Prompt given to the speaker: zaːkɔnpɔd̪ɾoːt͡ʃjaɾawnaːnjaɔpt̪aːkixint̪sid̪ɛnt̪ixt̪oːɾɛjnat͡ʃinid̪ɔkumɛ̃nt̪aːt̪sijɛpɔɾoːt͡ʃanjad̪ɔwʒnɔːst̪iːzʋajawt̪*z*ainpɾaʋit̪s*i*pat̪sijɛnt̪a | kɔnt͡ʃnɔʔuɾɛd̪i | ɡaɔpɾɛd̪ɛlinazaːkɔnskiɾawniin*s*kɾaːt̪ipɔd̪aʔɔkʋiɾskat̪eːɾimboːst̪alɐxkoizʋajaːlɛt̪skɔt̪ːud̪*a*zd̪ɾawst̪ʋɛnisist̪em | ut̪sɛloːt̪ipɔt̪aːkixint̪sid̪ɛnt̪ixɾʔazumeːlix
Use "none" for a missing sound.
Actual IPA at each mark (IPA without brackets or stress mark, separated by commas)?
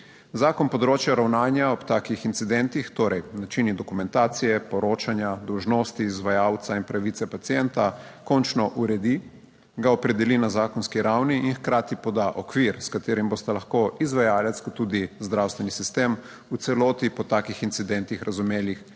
s, ɛ, x, i